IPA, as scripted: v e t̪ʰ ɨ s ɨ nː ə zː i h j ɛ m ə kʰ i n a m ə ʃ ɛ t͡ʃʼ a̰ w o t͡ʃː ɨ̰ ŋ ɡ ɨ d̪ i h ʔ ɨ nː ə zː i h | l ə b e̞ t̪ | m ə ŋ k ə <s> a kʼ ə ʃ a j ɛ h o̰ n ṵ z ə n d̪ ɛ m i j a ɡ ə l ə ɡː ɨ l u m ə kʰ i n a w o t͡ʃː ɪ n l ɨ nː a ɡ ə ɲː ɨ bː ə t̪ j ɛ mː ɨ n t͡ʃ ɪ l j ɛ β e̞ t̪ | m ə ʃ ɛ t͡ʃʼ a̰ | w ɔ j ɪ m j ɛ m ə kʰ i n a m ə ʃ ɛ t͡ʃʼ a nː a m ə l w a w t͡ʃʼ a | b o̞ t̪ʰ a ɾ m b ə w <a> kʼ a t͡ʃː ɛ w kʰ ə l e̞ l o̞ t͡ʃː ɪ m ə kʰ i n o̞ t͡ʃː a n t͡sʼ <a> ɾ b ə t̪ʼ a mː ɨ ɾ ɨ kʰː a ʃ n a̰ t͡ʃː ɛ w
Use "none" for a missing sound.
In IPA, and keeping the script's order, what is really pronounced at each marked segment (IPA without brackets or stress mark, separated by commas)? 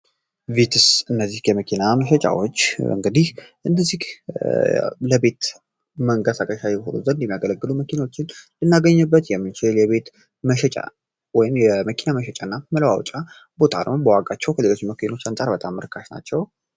s, a, a